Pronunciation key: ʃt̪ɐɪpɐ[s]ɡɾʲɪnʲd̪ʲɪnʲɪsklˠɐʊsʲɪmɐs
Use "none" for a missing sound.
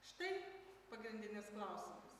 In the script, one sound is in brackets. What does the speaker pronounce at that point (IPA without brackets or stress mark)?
none